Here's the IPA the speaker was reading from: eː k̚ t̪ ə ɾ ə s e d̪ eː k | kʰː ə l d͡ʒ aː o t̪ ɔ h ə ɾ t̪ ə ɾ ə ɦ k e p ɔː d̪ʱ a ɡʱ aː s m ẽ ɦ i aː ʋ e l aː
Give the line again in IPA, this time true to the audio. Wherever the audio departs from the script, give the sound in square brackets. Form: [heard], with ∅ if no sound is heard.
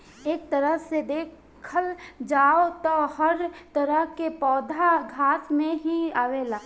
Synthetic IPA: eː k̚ t̪ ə ɾ ə s e d̪ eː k | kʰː ə l d͡ʒ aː o t̪ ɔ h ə ɾ t̪ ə ɾ ə ɦ k e p ɔː d̪ʱ a ɡʱ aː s m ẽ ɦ i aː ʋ e l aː